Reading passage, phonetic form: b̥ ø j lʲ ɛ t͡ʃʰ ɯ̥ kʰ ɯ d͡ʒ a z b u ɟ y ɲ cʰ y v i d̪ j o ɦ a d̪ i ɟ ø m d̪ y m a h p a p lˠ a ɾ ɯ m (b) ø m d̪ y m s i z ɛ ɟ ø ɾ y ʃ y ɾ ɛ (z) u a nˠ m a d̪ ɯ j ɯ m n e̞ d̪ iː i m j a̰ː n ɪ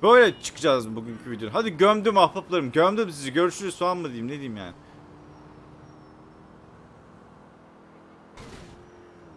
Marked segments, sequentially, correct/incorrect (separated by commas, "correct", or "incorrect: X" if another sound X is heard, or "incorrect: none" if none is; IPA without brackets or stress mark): incorrect: ɟ, incorrect: s